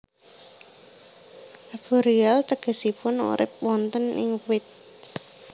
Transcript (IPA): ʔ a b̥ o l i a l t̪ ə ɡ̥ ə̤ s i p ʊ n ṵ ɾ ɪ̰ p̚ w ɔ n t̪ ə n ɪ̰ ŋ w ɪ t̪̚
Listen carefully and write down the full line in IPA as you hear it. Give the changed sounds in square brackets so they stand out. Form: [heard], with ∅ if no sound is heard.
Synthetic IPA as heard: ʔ a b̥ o [ɾ] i a l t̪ ə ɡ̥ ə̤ s i p ʊ n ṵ ɾ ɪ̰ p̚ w ɔ n t̪ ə n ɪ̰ ŋ w ɪ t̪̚